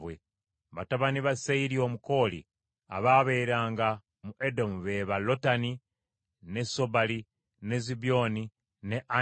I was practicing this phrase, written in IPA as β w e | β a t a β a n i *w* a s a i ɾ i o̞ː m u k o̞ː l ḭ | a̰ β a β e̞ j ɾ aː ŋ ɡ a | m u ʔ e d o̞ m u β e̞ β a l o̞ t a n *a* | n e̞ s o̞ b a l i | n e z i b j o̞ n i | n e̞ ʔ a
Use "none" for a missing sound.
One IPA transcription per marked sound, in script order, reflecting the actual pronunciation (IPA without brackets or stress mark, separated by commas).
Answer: β, i